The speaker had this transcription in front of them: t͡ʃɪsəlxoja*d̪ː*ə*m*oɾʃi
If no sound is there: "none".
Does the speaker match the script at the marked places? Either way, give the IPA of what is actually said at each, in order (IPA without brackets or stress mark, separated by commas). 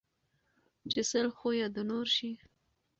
d̪, n